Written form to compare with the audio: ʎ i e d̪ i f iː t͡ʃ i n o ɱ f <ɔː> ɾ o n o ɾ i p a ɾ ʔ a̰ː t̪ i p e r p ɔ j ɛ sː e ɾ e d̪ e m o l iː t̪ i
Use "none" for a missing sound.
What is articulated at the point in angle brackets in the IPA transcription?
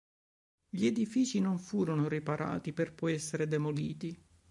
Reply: uː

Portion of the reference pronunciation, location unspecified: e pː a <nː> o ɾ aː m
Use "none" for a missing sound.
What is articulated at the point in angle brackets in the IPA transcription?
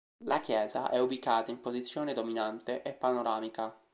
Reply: n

